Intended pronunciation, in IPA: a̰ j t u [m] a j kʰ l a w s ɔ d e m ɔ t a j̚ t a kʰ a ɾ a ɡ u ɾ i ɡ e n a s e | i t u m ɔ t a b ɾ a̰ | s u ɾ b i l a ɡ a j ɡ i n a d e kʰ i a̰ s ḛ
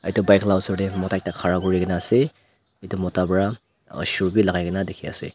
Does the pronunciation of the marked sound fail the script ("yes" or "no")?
yes